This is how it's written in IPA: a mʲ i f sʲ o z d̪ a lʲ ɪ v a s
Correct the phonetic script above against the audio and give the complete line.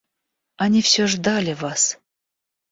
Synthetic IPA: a nʲ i f sʲ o ʐ d̪ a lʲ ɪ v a s